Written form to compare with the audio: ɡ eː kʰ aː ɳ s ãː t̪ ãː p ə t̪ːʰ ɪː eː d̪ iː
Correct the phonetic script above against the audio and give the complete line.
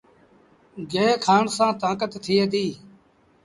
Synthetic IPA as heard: ɡ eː kʰ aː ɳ s ãː t̪ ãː k ə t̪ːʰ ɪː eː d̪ iː